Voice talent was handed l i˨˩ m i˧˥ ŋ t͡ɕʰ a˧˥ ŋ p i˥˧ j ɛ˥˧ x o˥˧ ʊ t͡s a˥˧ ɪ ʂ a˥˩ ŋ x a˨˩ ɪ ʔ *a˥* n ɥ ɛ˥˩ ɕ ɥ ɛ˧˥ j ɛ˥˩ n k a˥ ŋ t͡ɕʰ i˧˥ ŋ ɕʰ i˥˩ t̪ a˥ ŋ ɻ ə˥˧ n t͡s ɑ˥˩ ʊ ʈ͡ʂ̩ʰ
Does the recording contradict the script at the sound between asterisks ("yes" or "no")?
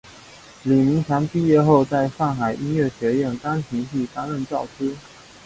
yes